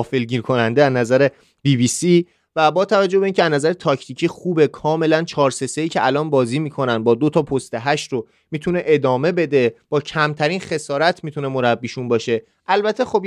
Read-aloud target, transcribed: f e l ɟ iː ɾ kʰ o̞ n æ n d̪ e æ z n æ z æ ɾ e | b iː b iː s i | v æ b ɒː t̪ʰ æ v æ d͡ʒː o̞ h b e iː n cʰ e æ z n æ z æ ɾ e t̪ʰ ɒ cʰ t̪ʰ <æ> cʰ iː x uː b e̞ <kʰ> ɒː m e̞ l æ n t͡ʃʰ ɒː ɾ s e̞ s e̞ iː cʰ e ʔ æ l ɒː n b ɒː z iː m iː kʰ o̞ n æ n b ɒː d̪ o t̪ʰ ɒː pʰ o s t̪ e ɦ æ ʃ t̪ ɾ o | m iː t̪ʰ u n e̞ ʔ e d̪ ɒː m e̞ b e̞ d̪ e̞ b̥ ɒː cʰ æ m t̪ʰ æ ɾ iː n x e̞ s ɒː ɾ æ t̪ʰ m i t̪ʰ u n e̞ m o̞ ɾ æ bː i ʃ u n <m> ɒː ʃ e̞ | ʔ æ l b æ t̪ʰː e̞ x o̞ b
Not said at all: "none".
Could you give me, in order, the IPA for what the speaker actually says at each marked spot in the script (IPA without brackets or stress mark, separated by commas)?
i, kʰ, b